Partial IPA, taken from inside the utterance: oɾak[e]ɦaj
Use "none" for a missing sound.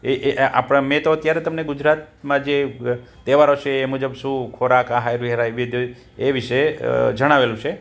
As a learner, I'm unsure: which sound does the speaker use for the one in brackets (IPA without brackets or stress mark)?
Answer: a